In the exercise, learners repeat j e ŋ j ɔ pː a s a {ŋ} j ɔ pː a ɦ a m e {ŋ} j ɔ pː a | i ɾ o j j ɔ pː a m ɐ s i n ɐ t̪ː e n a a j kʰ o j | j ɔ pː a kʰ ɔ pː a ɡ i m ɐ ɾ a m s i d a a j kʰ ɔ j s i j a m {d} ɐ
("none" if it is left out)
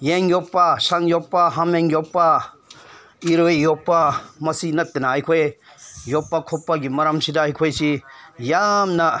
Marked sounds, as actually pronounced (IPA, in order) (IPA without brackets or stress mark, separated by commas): ŋ, ŋ, n